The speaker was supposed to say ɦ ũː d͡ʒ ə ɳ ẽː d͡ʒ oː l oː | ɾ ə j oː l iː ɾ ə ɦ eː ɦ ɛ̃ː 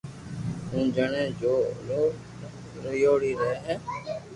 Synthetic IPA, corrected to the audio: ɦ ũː d͡ʒ ə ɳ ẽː d͡ʒ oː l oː | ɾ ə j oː ɽ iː ɾ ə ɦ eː ɦ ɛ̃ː